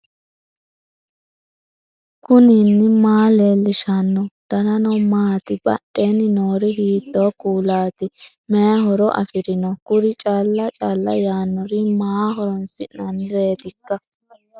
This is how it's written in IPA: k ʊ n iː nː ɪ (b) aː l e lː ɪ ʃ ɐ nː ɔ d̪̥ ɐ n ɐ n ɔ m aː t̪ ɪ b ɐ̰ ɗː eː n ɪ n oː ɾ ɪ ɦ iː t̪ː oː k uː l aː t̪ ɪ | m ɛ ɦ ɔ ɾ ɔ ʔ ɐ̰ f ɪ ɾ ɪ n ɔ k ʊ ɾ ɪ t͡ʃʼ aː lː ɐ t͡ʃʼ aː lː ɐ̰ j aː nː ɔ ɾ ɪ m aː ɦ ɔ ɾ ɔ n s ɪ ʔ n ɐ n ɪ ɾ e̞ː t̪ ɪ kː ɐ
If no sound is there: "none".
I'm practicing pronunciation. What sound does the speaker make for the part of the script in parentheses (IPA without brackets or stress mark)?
m